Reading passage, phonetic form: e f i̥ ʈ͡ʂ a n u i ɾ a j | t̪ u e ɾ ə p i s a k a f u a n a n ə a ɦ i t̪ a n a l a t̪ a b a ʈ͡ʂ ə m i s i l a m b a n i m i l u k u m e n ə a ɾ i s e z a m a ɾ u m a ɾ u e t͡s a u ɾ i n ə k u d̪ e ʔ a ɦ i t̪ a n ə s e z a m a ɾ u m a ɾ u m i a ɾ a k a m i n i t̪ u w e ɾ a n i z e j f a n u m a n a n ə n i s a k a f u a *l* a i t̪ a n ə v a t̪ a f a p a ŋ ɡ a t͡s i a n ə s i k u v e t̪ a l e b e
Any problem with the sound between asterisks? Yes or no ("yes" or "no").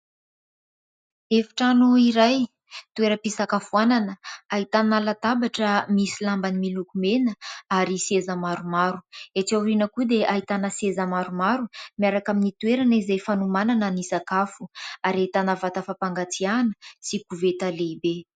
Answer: yes